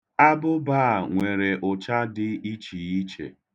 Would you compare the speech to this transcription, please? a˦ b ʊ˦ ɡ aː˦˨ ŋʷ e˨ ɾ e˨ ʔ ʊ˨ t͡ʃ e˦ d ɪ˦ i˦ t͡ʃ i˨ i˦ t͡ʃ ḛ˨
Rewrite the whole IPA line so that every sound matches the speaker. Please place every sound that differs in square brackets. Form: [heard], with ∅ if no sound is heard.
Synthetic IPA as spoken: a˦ b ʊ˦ [b] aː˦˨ ŋʷ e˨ ɾ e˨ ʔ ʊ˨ t͡ʃ [a˦] d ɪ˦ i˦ t͡ʃ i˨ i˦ t͡ʃ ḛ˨